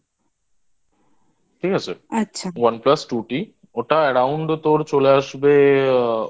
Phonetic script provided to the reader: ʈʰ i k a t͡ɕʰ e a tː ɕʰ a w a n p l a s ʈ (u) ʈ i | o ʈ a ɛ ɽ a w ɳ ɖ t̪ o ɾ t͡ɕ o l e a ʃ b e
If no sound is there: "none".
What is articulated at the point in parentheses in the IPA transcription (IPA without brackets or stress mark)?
u